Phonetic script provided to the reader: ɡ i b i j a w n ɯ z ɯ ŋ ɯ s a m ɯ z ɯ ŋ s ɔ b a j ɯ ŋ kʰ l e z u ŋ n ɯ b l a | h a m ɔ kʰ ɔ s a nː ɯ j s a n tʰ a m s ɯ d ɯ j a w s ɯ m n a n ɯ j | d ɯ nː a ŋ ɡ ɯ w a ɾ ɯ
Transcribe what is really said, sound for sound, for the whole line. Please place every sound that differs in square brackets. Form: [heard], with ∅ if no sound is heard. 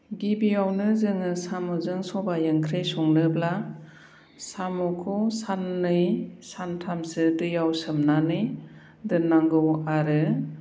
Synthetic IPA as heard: ɡ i b i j a w n ɯ z ɯ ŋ ɯ s a m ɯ z ɯ ŋ s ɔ b a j ɯ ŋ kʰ [ɾ] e [s] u ŋ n ɯ b l a | [s] a m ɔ kʰ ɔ s a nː ɯ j s a n tʰ a m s ɯ d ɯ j a w s ɯ m n a n ɯ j | d ɯ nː a ŋ ɡ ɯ w a ɾ ɯ